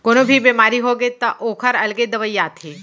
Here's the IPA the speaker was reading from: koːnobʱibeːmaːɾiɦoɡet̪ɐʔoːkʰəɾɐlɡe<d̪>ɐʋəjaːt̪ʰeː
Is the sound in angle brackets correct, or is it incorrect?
correct